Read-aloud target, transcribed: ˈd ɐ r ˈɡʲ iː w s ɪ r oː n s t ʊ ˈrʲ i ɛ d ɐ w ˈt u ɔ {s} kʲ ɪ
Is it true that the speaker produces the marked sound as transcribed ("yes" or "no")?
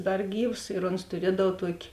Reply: no